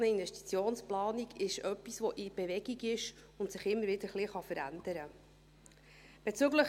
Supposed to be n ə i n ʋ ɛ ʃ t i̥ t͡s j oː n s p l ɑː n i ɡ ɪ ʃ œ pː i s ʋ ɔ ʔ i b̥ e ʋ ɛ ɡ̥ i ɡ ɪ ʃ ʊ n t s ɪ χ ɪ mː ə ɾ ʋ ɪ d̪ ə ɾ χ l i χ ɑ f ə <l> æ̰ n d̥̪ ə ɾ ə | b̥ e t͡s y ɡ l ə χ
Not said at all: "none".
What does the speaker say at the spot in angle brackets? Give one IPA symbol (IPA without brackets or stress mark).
ɾ